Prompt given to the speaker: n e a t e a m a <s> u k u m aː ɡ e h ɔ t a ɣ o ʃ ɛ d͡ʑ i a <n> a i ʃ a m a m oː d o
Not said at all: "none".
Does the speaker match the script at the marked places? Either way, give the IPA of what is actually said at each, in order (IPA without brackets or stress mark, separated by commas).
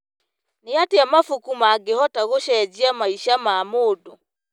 f, m